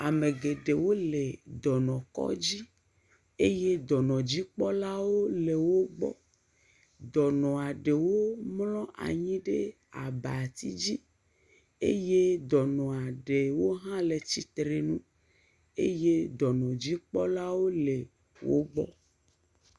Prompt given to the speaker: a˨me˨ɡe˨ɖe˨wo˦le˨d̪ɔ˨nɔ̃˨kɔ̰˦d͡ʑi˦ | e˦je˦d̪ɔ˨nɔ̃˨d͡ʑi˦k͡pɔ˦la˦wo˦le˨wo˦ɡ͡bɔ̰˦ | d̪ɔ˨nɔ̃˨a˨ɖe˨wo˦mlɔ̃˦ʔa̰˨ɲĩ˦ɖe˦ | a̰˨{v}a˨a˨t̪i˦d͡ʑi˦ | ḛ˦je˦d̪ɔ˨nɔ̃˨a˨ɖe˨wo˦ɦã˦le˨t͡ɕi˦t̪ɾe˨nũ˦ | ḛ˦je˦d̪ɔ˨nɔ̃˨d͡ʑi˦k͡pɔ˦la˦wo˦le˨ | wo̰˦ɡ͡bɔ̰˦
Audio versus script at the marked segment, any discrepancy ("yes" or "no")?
yes